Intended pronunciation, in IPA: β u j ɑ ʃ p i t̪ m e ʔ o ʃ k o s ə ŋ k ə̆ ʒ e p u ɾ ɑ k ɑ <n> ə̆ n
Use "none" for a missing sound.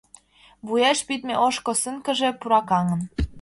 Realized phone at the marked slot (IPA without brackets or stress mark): ŋ